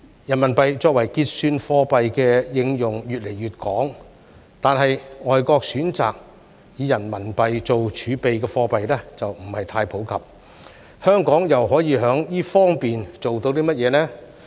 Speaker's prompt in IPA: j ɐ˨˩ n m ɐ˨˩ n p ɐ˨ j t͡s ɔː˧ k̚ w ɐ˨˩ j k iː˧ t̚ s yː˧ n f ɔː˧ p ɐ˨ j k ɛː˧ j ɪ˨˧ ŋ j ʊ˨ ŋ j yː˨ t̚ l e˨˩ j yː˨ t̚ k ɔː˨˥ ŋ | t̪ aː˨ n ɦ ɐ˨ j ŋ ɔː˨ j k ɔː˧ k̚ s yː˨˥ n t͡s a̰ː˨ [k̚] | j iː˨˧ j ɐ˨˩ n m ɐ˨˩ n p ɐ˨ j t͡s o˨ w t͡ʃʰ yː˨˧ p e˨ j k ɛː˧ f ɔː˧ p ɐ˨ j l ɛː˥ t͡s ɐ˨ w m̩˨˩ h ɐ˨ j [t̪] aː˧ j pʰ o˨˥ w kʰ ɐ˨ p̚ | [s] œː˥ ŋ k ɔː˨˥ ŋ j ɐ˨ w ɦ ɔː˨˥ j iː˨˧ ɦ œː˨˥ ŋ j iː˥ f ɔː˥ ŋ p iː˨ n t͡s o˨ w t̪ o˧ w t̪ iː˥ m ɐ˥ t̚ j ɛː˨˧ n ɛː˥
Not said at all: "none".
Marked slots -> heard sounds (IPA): k̚, t̪ʰ, h

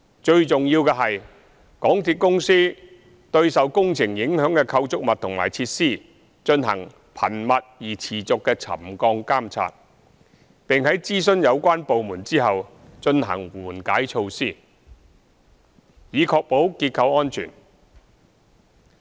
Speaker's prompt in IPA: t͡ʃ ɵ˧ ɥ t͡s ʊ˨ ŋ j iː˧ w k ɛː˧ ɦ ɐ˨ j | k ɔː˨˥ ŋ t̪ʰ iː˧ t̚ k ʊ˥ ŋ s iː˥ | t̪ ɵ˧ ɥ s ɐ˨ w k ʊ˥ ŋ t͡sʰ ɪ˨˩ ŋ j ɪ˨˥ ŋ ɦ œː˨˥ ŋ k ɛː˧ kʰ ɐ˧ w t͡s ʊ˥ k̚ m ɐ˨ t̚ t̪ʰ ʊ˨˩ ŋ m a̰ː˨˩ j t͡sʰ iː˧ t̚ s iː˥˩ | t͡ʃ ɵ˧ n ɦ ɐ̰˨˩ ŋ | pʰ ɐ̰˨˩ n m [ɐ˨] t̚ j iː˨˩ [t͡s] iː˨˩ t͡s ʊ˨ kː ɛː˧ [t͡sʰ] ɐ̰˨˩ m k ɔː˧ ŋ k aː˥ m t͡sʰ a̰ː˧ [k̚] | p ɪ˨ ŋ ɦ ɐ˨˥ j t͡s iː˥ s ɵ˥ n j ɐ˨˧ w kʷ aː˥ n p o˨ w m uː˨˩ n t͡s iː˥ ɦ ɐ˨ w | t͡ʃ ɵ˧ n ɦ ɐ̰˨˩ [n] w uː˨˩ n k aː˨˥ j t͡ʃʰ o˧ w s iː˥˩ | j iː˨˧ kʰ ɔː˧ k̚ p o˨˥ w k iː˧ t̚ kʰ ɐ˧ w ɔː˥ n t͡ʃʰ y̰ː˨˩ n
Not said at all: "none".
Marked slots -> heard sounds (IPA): ɐ˨, t͡sʰ, t͡sʰ, t̚, ŋ

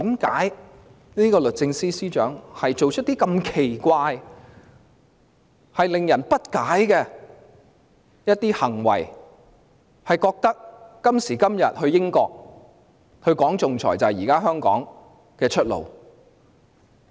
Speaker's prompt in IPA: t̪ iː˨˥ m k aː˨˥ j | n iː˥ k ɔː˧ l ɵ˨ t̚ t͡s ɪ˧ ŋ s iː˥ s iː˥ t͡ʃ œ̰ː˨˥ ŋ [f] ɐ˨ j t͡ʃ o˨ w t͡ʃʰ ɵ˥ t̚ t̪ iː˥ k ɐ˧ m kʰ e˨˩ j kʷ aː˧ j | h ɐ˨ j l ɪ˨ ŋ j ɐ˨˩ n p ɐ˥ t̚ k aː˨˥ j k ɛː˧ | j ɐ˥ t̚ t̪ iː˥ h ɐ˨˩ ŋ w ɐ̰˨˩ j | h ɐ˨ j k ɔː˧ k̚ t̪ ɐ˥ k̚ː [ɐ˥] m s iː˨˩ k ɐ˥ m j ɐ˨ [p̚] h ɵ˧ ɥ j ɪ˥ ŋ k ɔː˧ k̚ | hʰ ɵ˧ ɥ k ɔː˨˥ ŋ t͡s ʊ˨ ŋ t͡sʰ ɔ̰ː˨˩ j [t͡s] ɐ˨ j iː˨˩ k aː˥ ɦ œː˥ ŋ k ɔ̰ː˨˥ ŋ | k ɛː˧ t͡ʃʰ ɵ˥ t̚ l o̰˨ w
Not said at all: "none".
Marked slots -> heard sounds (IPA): h, ɐ˥, t̚, t͡s

